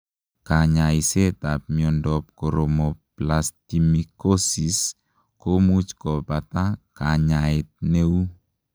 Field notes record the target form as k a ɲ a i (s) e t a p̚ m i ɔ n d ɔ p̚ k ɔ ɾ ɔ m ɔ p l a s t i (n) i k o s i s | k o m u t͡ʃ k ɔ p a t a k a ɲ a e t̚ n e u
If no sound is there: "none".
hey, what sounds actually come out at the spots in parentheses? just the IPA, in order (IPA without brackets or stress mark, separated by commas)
s, m